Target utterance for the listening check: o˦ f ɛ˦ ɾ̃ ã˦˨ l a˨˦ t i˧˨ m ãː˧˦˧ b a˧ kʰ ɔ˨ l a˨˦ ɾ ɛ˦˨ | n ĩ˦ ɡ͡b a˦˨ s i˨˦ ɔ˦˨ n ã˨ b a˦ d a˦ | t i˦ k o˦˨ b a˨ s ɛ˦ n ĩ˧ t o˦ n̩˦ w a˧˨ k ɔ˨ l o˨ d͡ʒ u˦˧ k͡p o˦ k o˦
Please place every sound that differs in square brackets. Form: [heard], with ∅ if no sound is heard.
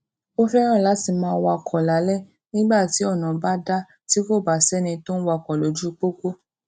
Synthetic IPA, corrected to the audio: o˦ f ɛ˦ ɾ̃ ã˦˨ l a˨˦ t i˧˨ m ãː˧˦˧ [w] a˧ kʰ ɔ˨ l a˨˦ [l] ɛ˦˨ | n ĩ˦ ɡ͡b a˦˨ [t] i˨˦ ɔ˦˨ n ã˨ b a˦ d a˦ | t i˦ k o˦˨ b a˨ s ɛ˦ n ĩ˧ t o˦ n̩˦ w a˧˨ k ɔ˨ l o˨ d͡ʒ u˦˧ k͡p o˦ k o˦